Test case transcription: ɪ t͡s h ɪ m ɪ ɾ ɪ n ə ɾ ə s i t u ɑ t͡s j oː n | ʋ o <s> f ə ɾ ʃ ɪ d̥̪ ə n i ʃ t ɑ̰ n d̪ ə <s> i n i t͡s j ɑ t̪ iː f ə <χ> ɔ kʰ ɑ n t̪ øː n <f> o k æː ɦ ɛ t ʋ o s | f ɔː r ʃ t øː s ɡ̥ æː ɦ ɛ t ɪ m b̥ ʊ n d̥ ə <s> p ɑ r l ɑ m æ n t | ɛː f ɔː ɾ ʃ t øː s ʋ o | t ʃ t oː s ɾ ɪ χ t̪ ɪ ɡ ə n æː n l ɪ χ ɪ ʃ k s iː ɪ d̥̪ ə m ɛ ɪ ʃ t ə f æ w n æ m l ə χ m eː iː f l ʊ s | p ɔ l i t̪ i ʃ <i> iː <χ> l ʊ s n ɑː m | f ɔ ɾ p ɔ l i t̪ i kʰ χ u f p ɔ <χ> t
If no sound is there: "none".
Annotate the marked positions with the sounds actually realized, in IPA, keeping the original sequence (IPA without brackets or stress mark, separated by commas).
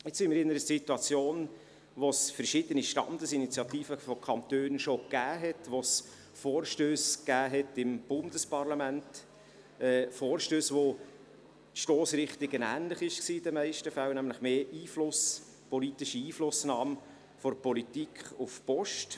s, s, f, ʃ, s, i, f, ʃ